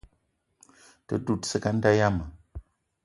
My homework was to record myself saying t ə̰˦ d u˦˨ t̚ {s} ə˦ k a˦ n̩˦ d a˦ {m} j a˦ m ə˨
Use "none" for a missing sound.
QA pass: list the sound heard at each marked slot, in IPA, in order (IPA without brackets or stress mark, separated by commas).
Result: s, none